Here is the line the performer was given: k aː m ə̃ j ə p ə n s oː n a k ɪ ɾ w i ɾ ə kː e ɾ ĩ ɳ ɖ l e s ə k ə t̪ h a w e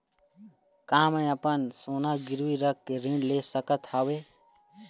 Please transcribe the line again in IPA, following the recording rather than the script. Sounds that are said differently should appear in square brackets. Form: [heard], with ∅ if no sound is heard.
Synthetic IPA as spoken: k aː m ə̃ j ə p ə n s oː n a [ɡ] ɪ ɾ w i ɾ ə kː e ɾ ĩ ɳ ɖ l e s ə k ə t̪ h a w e